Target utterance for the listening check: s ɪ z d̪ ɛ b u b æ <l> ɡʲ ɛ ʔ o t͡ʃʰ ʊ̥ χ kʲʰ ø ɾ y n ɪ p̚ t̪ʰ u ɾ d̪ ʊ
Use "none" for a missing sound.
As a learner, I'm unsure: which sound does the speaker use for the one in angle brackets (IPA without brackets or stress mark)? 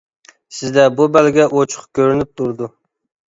l